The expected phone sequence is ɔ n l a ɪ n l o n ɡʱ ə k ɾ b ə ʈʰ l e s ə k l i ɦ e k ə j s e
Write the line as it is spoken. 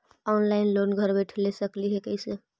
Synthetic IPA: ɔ n l a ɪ n l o n ɡʱ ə ɾ b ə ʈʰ l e s ə k l i ɦ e k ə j s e